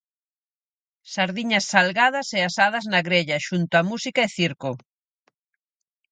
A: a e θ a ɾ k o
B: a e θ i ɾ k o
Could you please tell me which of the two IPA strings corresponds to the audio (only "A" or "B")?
B